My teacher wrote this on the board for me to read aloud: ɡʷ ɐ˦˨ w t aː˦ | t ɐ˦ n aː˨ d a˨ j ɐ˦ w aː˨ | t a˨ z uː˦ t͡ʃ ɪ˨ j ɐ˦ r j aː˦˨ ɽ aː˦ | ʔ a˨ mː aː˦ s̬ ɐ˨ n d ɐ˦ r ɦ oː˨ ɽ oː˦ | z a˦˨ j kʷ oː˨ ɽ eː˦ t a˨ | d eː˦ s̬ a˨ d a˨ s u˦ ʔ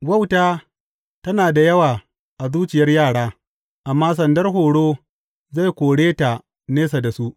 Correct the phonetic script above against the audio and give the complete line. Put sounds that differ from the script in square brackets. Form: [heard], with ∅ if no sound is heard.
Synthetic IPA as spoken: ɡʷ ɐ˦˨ w t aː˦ | t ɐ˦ n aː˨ d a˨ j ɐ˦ w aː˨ | [ʔ] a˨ z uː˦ t͡ʃ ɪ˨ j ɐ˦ r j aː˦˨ ɽ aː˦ | ʔ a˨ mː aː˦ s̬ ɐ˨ n d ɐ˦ r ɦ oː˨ ɽ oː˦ | z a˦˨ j kʷ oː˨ ɽ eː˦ t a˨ | [n] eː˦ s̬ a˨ d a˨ s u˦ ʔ